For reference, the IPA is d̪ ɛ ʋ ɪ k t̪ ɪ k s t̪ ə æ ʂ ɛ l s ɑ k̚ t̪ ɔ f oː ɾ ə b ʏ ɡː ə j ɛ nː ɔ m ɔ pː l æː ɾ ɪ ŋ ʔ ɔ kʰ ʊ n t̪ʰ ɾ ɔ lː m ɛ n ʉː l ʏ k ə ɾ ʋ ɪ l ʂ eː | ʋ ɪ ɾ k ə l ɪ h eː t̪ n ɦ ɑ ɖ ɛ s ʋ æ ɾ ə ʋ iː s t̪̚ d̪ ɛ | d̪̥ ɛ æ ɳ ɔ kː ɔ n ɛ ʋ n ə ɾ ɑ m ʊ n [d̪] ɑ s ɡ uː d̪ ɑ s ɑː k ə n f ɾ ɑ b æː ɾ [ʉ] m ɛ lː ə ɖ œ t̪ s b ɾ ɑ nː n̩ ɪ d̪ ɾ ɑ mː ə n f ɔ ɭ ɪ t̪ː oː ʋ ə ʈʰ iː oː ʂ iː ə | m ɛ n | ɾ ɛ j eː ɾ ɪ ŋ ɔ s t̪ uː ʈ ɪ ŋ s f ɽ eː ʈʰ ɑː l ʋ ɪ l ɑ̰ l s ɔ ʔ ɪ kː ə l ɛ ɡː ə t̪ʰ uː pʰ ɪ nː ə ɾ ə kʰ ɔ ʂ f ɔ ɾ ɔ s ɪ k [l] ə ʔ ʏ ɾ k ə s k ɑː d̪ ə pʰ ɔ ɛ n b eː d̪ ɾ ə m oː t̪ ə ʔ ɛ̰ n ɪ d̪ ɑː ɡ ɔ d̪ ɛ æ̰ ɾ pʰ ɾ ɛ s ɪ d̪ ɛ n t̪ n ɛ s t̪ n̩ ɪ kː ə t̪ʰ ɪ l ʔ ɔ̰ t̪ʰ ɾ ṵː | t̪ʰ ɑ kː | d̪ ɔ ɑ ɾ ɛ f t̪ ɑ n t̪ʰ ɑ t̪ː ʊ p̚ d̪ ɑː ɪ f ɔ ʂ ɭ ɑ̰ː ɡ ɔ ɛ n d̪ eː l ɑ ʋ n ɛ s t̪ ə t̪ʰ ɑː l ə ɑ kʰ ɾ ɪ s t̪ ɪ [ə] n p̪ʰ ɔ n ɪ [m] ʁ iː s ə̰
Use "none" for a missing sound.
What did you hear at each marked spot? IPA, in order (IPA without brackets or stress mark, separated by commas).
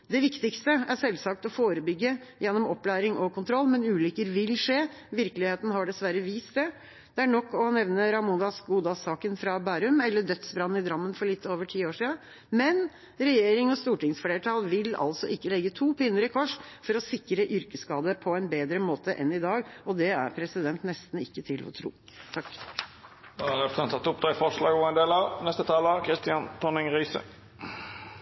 d̪, ʉ, ɾ, ɑ, ŋ